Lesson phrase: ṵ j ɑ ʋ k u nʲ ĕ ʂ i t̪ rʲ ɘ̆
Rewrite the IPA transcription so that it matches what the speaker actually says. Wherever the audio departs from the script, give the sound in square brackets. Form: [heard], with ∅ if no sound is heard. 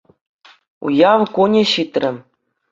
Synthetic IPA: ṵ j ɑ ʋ k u nʲ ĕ [ɕ] i t̪ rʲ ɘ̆